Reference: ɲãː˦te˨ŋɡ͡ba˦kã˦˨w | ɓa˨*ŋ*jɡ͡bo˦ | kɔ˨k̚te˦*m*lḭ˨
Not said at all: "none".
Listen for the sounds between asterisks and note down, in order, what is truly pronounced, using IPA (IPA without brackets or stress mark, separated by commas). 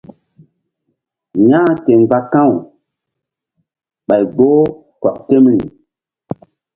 none, m